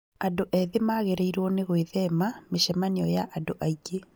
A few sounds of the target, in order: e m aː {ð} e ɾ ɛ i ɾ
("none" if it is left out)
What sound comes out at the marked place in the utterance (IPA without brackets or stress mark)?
ɣ